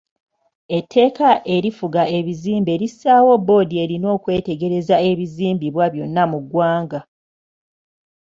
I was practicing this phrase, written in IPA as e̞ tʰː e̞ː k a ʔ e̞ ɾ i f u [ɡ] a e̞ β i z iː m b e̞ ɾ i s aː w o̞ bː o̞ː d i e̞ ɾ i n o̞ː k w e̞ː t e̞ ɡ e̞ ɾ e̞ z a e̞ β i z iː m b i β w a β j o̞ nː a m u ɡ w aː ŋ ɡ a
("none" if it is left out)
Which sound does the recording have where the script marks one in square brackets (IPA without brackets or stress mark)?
ɡ